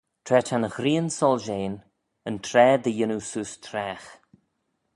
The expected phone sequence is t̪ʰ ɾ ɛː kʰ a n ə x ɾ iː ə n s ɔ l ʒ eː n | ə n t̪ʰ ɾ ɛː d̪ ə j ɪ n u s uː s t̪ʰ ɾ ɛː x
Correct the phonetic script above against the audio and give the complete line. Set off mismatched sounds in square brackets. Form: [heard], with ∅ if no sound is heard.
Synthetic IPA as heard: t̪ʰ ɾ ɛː [tʰ] a n ə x ɾ iː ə n s ɔ l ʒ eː n | ə n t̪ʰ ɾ ɛː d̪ ə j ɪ n u s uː s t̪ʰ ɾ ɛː x